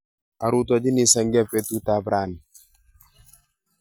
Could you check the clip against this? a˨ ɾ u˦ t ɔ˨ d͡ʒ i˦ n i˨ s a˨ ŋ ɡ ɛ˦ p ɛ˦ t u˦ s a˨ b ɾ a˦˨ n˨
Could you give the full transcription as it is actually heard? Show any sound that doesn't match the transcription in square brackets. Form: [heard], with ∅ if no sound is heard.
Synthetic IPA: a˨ ɾ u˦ t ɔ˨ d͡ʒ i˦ n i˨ s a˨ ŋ ɡ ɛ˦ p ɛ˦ t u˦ [t] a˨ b ɾ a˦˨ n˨